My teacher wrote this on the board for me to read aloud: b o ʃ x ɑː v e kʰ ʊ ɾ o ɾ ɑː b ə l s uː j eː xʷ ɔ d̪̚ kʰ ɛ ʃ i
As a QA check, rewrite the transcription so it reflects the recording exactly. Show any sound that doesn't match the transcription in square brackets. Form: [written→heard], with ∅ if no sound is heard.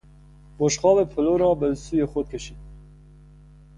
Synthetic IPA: b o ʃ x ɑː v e [kʰ→pʰ] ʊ [ɾ→l] o ɾ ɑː b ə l s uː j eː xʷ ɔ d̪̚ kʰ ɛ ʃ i